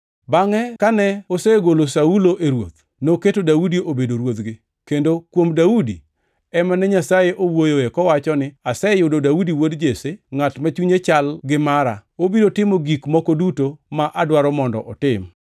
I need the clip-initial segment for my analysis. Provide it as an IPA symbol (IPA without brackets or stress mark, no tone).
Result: b